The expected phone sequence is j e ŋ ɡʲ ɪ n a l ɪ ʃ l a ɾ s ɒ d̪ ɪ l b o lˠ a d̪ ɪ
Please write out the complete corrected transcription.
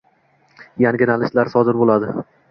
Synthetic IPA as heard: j a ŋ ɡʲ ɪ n a l ɪ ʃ l a ɾ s ɒ d̪ ɪ ɾ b o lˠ a d̪ ɪ